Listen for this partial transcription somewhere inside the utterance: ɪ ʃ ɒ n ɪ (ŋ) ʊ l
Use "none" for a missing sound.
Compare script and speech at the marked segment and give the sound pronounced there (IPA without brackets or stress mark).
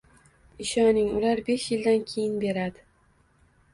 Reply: ŋ